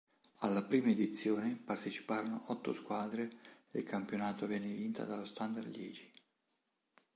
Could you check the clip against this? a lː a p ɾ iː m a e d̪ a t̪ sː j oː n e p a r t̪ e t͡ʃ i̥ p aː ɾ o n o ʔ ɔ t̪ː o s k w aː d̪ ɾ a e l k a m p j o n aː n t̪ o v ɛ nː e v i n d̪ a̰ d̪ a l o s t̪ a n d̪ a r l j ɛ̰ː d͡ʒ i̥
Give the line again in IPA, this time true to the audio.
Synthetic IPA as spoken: a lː a p ɾ iː m a e d̪ i t̪ sː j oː n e p a r t̪ e t͡ʃ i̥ p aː ɾ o n o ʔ ɔ t̪ː o s k w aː d̪ ɾ e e l k a m p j o n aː t̪ o v ɛ nː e v i n t̪ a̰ d̪ a l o s t̪ a n d̪ a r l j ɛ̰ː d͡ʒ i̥